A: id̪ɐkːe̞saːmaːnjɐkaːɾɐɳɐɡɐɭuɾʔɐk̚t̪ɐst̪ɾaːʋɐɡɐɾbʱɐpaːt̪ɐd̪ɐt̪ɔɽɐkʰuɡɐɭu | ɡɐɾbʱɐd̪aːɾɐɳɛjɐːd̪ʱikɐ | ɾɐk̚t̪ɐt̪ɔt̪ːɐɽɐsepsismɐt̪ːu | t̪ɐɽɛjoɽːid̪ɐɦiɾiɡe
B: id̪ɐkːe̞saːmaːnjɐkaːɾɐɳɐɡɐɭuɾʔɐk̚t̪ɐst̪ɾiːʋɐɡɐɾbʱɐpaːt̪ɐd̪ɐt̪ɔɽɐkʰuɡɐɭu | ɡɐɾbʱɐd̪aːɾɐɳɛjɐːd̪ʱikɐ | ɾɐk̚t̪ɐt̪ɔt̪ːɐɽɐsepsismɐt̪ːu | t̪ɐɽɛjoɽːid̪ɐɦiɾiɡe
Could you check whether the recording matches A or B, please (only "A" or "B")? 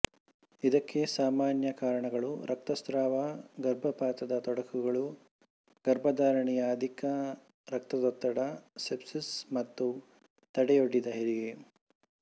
A